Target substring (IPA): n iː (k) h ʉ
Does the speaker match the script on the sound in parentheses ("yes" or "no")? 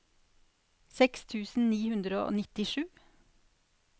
no